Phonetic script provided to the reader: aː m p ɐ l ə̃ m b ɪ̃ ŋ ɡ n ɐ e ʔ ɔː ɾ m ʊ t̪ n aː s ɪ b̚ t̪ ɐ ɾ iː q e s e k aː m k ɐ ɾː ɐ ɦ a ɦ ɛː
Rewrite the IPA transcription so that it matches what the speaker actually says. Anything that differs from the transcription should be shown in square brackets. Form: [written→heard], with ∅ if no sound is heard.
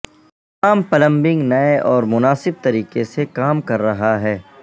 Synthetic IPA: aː m p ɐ l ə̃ m b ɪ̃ ŋ ɡ n ɐ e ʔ ɔː ɾ m ʊ [t̪→∅] n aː s ɪ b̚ t̪ ɐ ɾ iː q e s e k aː m k ɐ ɾː ɐ ɦ a ɦ ɛː